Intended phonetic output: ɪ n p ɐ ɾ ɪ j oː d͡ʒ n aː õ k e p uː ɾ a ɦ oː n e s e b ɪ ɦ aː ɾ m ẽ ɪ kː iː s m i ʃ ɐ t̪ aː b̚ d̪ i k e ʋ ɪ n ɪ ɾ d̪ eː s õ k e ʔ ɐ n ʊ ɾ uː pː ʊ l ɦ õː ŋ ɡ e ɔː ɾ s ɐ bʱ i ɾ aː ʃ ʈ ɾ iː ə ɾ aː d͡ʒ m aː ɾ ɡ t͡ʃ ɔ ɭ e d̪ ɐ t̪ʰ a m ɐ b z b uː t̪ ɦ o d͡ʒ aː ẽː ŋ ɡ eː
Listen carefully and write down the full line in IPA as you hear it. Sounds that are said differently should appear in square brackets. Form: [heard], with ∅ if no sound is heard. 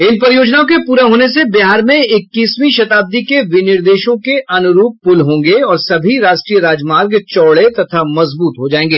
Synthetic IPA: ɪ n p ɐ ɾ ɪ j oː d͡ʒ n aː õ k e p uː ɾ a ɦ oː n e s e b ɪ ɦ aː ɾ m ẽ ɪ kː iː s m i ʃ ɐ t̪ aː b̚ d̪ i k e ʋ ɪ n ɪ ɾ d̪ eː [ʃ] õ k e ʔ ɐ n ʊ ɾ uː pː ʊ l ɦ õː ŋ ɡ e ɔː ɾ s ɐ bʱ i ɾ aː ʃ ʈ ɾ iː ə ɾ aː d͡ʒ m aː ɾ ɡ t͡ʃ [ɔː] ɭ e [t̪] ɐ t̪ʰ a m ɐ [∅] z b uː t̪ ɦ o d͡ʒ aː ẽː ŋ ɡ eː